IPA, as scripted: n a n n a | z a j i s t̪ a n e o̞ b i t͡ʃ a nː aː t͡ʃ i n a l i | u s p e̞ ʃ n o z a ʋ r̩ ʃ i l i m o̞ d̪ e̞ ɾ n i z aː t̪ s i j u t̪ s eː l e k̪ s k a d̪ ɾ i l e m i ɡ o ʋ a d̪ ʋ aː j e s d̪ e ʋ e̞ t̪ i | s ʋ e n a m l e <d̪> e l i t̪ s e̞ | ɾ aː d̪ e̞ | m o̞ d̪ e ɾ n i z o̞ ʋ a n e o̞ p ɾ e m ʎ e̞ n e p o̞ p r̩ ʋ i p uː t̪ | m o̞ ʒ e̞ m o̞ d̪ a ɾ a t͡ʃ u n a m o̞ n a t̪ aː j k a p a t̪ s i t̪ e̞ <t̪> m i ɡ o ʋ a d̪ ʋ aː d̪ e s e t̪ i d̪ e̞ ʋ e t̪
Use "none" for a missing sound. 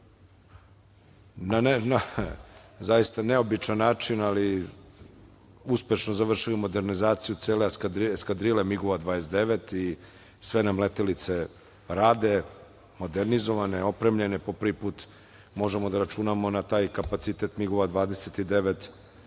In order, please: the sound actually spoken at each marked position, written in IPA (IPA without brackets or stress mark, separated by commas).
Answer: t̪, t̪